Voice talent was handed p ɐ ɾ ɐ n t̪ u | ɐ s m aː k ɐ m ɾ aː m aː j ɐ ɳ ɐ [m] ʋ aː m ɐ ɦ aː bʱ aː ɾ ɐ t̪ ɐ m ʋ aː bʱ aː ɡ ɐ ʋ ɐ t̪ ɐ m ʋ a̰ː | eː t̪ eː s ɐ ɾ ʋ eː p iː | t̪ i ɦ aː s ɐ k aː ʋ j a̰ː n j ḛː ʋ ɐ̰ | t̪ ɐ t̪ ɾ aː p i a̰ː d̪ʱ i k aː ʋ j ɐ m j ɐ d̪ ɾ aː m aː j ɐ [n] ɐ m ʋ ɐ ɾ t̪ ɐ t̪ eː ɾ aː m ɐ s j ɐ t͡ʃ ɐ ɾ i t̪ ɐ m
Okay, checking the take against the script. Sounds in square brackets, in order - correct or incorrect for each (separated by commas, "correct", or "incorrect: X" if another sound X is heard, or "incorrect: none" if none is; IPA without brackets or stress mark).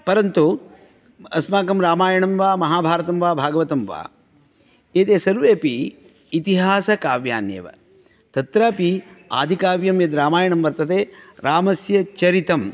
correct, incorrect: ɳ